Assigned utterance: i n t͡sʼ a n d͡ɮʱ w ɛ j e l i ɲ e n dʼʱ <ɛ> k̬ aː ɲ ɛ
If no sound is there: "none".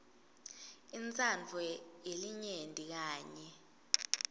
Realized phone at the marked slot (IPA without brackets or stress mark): i